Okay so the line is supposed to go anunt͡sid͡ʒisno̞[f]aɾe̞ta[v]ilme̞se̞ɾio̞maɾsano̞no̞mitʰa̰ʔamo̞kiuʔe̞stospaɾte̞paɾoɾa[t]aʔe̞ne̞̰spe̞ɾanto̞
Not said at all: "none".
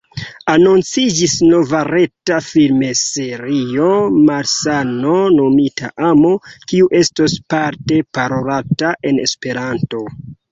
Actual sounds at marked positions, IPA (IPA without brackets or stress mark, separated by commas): v, f, t